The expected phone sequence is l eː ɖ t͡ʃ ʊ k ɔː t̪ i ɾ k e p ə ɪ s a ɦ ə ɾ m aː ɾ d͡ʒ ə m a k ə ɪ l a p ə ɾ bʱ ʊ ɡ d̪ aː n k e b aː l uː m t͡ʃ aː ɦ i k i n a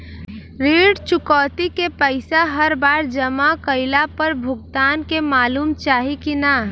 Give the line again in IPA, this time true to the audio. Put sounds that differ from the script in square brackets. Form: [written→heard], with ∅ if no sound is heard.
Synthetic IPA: [l→ɾ] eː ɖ t͡ʃ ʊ k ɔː t̪ i [ɾ→∅] k e p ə ɪ s a ɦ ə ɾ [m→b] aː ɾ d͡ʒ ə m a k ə ɪ l a p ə ɾ bʱ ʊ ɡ [d̪→t̪] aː n k e [b→m] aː l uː m t͡ʃ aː ɦ i k i n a